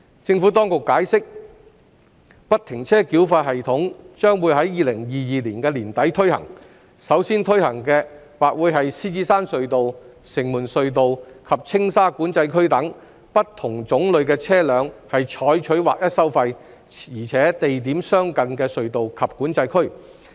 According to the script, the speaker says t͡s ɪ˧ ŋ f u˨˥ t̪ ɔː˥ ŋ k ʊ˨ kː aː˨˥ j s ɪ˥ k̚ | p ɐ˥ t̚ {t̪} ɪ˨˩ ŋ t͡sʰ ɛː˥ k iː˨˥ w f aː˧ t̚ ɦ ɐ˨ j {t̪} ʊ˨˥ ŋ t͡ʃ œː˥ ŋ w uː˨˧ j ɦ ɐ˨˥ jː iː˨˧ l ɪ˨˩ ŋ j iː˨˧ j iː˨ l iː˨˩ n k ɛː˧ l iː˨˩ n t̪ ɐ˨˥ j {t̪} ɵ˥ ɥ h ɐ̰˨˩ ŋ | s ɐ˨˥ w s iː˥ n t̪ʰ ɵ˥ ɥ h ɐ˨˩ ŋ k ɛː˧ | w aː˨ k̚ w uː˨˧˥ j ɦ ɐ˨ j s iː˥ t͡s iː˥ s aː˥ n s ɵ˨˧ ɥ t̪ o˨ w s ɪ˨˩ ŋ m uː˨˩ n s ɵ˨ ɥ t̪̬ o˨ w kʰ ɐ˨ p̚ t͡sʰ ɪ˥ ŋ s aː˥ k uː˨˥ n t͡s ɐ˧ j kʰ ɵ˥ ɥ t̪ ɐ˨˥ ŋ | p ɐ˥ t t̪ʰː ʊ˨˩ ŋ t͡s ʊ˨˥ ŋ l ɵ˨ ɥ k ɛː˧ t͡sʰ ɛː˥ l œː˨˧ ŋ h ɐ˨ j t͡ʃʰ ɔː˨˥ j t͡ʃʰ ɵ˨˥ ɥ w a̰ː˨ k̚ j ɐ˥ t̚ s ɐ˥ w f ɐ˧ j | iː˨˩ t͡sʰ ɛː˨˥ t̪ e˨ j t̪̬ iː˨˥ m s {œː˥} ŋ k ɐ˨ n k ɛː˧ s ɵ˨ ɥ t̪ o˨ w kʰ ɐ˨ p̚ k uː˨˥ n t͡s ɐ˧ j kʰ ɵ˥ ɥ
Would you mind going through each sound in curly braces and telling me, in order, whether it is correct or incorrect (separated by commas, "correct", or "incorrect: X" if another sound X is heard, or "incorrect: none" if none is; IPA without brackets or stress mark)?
incorrect: t̪ʰ, incorrect: t̪ʰ, incorrect: t̪ʰ, correct